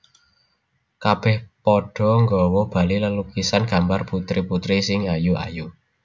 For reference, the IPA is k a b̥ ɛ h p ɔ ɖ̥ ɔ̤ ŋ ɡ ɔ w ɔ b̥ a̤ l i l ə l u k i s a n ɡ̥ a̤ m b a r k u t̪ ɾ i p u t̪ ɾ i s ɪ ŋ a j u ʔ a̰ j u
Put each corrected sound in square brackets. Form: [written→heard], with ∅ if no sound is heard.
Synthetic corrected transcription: k a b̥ ɛ h p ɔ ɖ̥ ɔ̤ ŋ ɡ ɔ w ɔ b̥ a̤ l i l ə l u k i s a n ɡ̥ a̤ m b a r [k→p] u t̪ ɾ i p u t̪ ɾ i s ɪ ŋ a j u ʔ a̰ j u